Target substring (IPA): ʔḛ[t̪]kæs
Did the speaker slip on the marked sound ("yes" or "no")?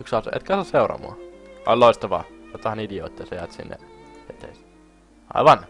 no